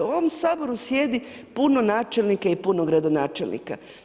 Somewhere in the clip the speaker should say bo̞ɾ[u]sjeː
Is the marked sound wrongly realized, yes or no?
no